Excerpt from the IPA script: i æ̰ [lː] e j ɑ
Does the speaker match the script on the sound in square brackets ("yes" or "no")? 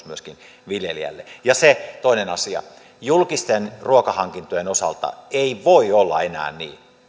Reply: yes